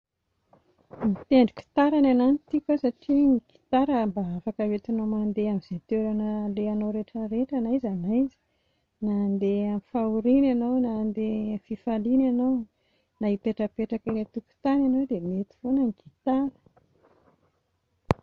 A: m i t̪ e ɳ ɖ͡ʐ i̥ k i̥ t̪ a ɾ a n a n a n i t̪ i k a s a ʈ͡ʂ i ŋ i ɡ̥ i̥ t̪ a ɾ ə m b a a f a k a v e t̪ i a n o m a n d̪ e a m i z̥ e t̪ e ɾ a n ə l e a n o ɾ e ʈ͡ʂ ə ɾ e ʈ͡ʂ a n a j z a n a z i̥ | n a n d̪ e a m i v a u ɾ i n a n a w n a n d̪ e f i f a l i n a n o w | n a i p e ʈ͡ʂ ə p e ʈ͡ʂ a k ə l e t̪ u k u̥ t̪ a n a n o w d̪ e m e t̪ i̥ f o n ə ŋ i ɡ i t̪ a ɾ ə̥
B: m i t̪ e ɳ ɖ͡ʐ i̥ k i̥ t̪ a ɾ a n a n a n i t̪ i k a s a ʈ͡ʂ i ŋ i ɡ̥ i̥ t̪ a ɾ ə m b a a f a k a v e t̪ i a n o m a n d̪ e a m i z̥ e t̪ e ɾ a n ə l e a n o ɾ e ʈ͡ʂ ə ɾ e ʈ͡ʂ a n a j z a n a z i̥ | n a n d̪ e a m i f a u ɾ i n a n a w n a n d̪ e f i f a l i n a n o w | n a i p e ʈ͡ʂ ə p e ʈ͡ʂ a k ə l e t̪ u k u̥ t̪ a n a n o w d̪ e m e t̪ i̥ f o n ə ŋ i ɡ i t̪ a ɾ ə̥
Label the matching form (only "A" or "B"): B